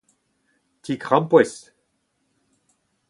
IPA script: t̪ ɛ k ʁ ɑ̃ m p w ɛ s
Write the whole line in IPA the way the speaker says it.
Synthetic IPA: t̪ i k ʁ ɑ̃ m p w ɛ s